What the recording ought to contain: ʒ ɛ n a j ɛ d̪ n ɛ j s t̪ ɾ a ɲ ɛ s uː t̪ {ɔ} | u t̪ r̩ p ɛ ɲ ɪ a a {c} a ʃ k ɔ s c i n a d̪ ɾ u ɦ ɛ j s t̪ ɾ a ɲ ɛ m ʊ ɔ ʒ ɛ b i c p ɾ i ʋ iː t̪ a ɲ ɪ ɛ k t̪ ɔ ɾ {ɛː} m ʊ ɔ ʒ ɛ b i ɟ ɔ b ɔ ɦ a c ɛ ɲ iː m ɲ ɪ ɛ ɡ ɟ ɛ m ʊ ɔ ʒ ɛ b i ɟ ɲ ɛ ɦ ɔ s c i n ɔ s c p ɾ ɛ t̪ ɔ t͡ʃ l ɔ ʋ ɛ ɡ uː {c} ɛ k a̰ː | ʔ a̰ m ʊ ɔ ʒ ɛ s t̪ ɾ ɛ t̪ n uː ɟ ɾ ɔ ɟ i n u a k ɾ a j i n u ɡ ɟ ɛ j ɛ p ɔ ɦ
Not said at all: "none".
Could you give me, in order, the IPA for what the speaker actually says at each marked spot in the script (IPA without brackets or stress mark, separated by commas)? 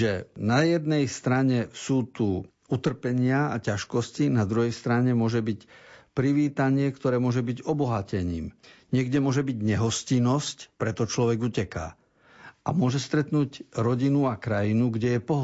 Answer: u, c, ɛː, c